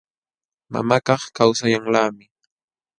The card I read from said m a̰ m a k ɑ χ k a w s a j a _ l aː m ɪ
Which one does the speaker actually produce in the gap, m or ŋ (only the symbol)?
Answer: ŋ